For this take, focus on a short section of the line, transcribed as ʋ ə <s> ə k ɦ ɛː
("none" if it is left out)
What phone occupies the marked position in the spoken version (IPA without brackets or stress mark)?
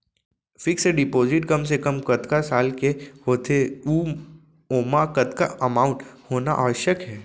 ʃ